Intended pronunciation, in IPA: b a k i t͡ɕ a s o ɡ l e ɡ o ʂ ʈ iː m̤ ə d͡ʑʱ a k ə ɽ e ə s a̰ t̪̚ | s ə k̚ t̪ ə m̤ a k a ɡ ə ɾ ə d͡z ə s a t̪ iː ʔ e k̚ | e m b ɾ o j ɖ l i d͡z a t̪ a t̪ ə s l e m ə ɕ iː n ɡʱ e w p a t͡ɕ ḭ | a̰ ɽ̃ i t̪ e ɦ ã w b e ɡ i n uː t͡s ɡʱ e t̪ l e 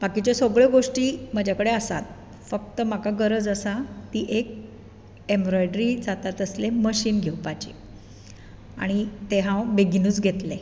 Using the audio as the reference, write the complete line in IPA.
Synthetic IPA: b a k i t͡ɕ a s o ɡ ɭ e ɡ o ʂ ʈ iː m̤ ə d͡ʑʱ a k ə ɽ e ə s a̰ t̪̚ | f ə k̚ t̪ ə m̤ a k a ɡ ə ɾ ə d͡z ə s a t̪ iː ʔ e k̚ | e m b ɾ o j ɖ ɾ i d͡z a t̪ a t̪ ə s l e m ə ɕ iː n ɡʱ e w p a t͡ɕ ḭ | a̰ ɽ̃ i t̪ e ɦ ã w b e ɡ i n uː t͡s ɡʱ e t̪ l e

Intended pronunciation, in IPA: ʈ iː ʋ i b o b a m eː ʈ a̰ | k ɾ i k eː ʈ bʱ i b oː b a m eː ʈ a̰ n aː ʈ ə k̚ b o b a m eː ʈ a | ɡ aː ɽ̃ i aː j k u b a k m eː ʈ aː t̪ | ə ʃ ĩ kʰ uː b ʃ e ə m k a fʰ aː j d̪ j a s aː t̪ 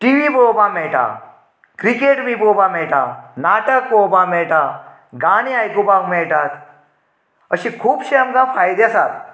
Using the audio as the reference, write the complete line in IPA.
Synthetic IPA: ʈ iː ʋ i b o b a m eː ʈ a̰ | k ɾ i k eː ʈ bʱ i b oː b a m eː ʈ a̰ n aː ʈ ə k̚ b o b a m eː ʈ a | ɡ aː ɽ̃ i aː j k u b a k m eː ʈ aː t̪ | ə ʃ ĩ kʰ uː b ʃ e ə m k a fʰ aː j d̪ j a s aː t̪

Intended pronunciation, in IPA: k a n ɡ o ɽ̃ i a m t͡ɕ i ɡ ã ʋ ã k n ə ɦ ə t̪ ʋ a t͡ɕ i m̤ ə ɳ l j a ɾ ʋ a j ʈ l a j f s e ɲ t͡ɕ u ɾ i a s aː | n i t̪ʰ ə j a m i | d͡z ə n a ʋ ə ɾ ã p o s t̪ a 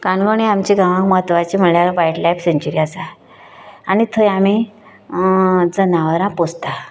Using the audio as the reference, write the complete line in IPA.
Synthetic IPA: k a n ɡ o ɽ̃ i a m t͡ɕ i ɡ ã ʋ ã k m ə ɦ ə t̪ ʋ a t͡ɕ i m̤ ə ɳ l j a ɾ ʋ a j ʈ l a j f s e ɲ t͡ɕ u ɾ i a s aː | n i t̪ʰ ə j a m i | d͡z ə n a ʋ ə ɾ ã p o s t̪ a

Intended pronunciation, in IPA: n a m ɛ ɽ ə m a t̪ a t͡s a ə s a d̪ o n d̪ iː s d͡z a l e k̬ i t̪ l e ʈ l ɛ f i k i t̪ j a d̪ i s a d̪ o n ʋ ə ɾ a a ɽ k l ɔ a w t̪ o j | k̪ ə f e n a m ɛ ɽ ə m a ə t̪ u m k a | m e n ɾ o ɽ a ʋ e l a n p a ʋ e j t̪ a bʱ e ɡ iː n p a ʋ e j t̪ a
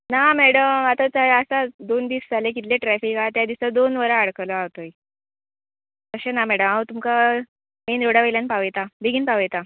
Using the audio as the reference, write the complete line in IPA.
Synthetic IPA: n a m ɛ ɽ ə m a t̪ a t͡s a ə s a d̪ o n d̪ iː s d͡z a l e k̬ i t̪ l e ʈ ɾ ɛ f i k a t̪ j a d̪ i s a d̪ o n ʋ ə ɾ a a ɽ k l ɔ a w t̪ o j | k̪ ə ɕ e n a m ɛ ɽ ə m a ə t̪ u m k a | m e n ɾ o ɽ a ʋ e l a n p a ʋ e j t̪ a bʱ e ɡ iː n p a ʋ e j t̪ a

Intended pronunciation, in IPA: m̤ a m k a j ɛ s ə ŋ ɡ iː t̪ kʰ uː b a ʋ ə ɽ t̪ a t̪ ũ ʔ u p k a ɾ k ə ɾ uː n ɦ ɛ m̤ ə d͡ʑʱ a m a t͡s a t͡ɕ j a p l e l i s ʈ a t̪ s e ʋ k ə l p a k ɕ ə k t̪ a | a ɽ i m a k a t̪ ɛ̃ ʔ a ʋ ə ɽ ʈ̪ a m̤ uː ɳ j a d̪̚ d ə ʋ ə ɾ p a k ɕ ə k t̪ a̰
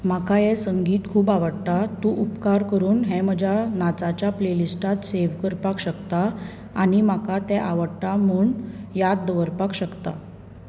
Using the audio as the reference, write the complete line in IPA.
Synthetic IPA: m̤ a k a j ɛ s ə ŋ ɡ iː t̪ kʰ uː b a ʋ ə ɽ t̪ a t̪ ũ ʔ u p k a ɾ k ə ɾ uː n ɦ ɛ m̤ ə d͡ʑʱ a n a t͡s a t͡ɕ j a p l e l i s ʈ a t̪ s e ʋ k ə ɾ p a k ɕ ə k t̪ a | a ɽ i m a k a t̪ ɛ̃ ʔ a ʋ ə ɽ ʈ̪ a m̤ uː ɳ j a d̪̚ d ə ʋ ə ɾ p a k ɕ ə k t̪ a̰

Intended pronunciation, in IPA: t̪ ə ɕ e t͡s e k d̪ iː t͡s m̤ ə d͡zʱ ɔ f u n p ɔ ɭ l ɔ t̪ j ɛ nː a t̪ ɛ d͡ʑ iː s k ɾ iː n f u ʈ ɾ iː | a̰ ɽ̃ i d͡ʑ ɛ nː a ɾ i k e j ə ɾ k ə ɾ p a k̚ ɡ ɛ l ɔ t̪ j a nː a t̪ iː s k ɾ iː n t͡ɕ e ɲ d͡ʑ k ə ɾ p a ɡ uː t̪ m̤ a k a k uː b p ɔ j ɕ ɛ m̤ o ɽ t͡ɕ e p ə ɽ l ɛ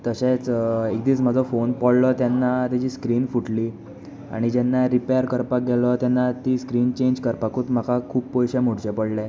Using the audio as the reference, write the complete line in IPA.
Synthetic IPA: t̪ ə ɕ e t͡s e k d̪ iː t͡s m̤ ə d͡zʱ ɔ f o n p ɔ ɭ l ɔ t̪ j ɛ nː a t̪ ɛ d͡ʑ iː s k ɾ iː n f u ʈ l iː | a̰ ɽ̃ i d͡ʑ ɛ nː a ɾ i p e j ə ɾ k ə ɾ p a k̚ ɡ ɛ l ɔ t̪ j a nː a t̪ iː s k ɾ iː n t͡ɕ e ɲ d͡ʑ k ə ɾ p a k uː t̪ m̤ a k a kʰ uː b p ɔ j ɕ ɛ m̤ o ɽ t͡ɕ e p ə ɽ l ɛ

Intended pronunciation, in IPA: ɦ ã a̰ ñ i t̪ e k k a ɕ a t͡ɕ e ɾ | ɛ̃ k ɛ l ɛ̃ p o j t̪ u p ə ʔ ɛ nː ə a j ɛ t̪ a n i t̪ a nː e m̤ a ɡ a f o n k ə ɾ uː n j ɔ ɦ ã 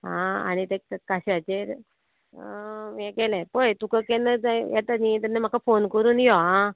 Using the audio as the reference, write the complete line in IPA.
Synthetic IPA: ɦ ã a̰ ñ i t̪ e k k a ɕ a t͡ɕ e ɾ | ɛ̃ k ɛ l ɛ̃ p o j t̪ u k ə k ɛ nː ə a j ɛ t̪ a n i t̪ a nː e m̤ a k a f o n k ə ɾ uː n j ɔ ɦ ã

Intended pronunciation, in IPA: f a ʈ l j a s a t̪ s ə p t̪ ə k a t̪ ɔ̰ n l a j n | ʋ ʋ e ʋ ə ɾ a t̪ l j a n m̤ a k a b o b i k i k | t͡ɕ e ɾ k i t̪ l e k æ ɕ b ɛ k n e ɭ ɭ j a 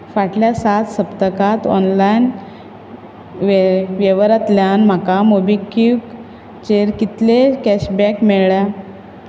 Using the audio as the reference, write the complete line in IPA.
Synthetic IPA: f a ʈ l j a s a t̪ s ə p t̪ ə k a t̪ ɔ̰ n l a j n | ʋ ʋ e ʋ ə ɾ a t̪ l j a n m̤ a k a m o b i k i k | t͡ɕ e ɾ k i t̪ l e k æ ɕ b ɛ k m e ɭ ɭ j a

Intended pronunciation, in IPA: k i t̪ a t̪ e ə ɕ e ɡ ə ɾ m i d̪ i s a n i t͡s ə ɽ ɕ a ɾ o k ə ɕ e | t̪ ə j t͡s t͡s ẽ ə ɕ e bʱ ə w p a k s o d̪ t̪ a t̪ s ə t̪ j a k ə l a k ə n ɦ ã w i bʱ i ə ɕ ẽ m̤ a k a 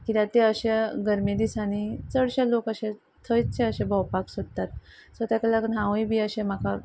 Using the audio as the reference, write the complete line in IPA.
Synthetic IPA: k i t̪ a t̪ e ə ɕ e ɡ ə ɾ m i d̪ i s a n i t͡s ə ɽ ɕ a l o k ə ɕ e | t̪ʰ ə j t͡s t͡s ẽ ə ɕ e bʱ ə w p a k s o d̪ t̪ a t̪ s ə t̪ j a k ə l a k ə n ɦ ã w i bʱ i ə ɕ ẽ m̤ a k a

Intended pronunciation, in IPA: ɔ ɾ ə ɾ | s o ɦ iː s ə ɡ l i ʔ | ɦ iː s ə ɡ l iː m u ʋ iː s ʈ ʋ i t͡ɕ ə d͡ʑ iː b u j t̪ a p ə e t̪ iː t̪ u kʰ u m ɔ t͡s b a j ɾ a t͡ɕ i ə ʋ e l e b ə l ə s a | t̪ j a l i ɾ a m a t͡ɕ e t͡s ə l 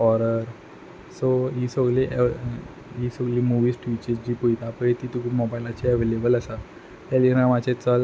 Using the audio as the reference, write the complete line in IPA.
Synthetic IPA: ɔ ɾ ə ɾ | s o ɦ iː s ə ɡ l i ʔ | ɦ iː s ə ɡ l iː m u ʋ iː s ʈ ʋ i t͡ɕ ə d͡ʑ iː p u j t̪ a p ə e t̪ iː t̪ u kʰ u m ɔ b a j l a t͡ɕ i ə ʋ e l e b ə l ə s a | t̪ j a l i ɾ a m a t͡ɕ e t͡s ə l

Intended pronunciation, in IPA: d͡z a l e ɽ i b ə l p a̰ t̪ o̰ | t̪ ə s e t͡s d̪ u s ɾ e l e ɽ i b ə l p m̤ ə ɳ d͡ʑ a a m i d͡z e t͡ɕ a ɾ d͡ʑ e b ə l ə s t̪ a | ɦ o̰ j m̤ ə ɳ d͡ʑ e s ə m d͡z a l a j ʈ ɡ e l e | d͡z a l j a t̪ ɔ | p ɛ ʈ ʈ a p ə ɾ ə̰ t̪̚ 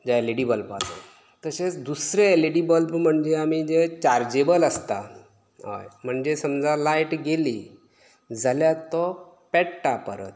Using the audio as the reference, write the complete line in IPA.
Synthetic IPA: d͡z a l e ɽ i b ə l p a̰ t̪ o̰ | t̪ ə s e t͡s d̪ u s ɾ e l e ɽ i b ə l p m̤ ə ɳ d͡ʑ e a m i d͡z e t͡ɕ a ɾ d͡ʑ e b ə l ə s t̪ a | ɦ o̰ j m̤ ə ɳ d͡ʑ e s ə m d͡z a l a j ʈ ɡ e l i | d͡z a l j a t̪ ɔ | p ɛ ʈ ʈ a p ə ɾ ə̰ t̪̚

